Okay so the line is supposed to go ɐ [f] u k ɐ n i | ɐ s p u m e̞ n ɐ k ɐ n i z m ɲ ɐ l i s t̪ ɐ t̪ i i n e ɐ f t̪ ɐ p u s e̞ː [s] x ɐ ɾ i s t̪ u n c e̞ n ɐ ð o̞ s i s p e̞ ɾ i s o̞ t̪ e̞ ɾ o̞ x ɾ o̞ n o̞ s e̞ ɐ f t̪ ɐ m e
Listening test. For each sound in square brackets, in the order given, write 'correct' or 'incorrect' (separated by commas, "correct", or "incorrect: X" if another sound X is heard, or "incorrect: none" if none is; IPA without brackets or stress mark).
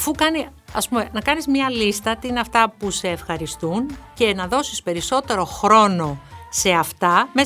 correct, incorrect: f